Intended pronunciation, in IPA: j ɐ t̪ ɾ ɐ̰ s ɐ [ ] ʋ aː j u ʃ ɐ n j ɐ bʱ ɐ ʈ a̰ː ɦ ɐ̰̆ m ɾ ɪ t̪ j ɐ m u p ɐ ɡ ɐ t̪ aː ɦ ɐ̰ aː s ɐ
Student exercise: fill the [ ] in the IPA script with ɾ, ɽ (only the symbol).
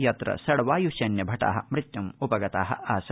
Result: ɽ